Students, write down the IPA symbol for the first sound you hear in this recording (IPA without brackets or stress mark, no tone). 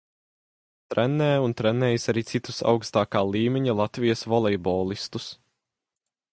t̪